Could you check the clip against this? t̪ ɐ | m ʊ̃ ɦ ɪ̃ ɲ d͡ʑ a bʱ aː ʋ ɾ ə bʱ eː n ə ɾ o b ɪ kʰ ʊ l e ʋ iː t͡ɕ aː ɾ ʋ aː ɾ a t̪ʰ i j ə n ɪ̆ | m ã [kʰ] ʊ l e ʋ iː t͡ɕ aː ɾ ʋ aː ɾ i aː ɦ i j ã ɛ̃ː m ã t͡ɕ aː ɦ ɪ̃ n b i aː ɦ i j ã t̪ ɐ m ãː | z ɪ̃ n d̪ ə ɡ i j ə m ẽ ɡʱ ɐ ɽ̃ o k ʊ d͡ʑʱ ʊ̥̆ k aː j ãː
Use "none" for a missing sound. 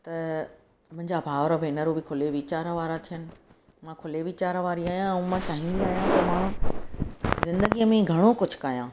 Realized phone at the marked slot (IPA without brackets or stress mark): kʰ